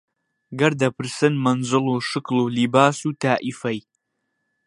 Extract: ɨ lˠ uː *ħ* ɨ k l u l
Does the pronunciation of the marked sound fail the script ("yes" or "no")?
yes